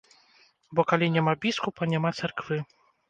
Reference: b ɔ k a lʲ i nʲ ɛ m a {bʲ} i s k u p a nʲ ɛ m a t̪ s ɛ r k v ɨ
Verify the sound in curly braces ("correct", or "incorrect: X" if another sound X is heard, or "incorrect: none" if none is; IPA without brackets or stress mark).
correct